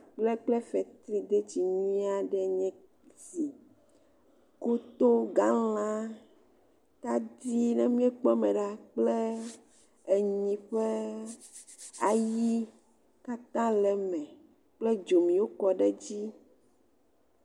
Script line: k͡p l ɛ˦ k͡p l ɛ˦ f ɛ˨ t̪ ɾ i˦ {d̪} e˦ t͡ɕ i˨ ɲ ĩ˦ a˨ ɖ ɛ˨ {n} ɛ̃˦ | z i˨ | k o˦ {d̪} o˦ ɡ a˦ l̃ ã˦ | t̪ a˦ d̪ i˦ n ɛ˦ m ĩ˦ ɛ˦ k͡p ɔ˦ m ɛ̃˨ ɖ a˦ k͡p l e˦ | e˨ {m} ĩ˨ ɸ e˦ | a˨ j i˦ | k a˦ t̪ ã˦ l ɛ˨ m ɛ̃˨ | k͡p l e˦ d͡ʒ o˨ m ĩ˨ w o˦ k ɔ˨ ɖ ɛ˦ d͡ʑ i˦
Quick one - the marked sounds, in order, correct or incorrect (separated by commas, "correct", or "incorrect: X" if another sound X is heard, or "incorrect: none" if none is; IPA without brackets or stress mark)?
correct, incorrect: ɲ, incorrect: t̪, incorrect: ɲ